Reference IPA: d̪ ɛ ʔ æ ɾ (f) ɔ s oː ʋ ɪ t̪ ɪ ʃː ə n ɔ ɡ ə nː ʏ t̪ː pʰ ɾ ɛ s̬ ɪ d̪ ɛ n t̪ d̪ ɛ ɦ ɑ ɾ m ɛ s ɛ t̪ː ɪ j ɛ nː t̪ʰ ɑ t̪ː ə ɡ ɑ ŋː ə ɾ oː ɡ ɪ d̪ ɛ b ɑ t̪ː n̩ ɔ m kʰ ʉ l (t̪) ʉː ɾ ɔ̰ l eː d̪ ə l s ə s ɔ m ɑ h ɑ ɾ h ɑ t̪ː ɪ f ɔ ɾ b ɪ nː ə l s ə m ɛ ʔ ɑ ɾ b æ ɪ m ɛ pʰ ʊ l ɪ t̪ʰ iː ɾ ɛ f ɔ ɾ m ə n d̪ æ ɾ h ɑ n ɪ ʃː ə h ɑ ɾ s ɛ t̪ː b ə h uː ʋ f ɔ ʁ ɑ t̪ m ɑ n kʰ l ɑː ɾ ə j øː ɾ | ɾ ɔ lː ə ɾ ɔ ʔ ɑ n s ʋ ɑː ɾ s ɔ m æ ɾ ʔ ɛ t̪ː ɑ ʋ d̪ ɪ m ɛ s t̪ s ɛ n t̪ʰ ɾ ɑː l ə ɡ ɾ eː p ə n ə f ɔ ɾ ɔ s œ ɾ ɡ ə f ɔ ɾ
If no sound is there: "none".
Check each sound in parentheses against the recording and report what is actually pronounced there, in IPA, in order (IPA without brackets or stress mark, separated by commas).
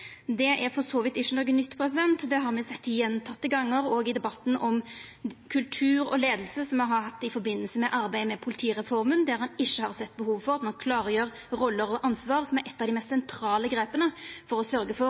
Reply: f, t̪ʰ